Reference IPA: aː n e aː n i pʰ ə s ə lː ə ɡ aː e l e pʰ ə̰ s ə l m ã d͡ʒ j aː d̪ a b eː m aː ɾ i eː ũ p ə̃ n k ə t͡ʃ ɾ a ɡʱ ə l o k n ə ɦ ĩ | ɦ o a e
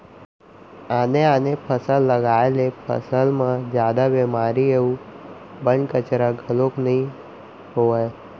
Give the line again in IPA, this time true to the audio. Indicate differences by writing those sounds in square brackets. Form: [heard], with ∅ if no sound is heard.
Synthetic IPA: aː n e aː n [e] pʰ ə s ə lː ə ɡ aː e l e pʰ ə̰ s ə l m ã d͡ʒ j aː d̪ a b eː m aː ɾ i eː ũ [b] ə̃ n k ə t͡ʃ ɾ a ɡʱ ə l o k n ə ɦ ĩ | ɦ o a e